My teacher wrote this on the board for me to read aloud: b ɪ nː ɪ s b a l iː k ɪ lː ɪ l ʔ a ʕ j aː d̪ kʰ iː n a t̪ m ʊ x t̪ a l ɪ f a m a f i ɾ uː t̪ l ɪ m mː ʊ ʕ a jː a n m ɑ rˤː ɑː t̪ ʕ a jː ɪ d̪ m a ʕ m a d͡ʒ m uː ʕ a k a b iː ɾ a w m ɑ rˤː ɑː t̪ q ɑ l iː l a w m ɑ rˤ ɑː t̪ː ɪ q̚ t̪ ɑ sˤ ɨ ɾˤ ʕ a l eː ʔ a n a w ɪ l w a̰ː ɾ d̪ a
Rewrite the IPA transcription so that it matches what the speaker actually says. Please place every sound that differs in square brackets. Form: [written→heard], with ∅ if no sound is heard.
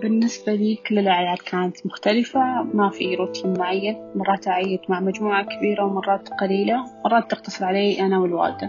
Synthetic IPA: b ɪ nː ɪ s b a l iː k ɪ lː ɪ l ʔ a ʕ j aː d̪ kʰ [iː→aː] n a t̪ m ʊ x t̪ a l ɪ f a m a f i ɾ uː t̪ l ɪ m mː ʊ ʕ a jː a n m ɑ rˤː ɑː t̪ ʕ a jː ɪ d̪ m a ʕ m a d͡ʒ m uː ʕ a k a b iː ɾ a w m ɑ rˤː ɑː t̪ q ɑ l iː l a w m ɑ rˤ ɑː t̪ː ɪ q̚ t̪ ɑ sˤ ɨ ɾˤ ʕ a l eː ʔ a n a w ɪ l w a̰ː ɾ d̪ a